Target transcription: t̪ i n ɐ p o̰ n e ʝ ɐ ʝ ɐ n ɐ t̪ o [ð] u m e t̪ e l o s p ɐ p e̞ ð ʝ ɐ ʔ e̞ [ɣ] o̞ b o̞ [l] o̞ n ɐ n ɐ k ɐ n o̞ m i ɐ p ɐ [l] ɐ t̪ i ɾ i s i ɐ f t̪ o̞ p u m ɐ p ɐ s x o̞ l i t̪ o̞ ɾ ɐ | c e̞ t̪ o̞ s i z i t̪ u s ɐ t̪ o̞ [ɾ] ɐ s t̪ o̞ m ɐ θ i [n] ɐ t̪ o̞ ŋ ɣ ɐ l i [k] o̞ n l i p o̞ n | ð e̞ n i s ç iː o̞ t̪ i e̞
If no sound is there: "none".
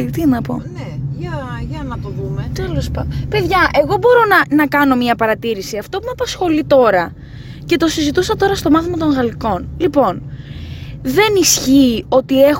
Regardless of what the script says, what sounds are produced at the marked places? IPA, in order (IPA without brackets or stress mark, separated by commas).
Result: ð, ɣ, ɾ, ɾ, ɾ, m, k